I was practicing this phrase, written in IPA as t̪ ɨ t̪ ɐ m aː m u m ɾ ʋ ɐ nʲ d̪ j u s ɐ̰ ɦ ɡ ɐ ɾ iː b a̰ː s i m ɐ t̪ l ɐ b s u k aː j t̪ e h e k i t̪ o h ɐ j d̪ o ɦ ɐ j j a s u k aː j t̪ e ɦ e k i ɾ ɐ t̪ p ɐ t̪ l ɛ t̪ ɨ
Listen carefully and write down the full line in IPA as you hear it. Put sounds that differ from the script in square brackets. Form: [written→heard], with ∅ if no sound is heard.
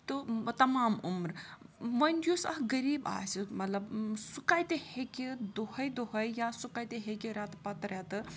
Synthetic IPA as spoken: t̪ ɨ t̪ ɐ m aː m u m ɾ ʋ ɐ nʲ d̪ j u s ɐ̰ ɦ ɡ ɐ ɾ iː b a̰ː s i m ɐ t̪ l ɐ b s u k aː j t̪ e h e k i [t̪→d̪] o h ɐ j d̪ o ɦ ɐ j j a s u k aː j t̪ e ɦ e k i ɾ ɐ t̪ p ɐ t̪ [l→ɾ] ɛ t̪ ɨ